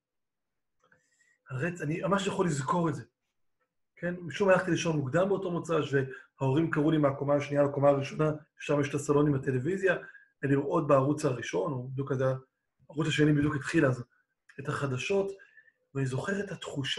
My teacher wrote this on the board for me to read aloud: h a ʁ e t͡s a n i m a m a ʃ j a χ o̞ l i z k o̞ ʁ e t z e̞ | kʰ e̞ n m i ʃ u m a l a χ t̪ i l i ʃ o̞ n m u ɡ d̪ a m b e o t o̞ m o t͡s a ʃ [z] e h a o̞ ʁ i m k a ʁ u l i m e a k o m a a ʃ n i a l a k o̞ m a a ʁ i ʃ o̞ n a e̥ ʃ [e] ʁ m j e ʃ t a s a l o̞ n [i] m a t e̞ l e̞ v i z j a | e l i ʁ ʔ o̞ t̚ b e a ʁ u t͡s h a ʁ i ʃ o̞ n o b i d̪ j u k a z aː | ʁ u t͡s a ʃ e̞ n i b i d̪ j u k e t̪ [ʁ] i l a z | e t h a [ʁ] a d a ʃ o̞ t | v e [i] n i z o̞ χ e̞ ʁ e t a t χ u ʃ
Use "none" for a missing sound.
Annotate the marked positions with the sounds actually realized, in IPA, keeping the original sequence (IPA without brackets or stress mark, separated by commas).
v, a, i, χ, χ, a